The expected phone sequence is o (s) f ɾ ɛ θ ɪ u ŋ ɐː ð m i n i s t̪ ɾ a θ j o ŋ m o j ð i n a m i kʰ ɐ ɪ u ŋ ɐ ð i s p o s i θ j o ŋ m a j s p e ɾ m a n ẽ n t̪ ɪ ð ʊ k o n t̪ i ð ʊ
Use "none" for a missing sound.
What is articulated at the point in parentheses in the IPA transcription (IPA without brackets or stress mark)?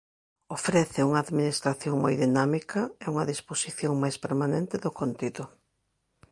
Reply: none